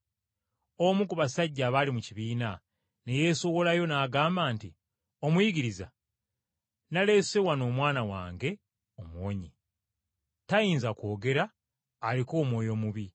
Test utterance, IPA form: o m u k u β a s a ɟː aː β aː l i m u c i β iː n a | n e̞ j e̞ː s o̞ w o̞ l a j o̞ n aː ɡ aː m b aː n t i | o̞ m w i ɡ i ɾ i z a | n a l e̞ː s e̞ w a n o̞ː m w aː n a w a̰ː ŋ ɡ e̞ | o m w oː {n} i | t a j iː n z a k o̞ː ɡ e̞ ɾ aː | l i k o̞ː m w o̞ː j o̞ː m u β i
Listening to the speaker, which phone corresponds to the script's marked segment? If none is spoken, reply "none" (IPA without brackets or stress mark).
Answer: ɲ